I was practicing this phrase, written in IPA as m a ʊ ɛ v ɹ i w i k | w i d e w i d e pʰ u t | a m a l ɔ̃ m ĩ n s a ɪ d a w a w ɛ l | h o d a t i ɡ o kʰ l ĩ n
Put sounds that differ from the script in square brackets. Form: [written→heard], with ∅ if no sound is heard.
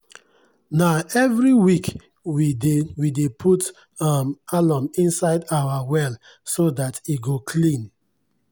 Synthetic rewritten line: [m→n] a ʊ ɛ v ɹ i w i k | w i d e w i d e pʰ u t | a m a l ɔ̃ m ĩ n s a ɪ d a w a w ɛ l | [h→s] o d a t i ɡ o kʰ l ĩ n